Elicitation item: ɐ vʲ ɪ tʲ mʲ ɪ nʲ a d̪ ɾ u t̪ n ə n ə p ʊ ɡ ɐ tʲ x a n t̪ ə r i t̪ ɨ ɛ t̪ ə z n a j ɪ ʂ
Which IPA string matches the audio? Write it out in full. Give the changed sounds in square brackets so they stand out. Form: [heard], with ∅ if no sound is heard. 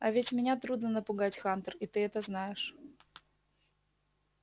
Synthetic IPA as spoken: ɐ vʲ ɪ tʲ mʲ ɪ nʲ a [t̪] ɾ u [d̪] n ə n ə p ʊ ɡ [a] tʲ x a n t̪ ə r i t̪ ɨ ɛ t̪ ə z n a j ɪ ʂ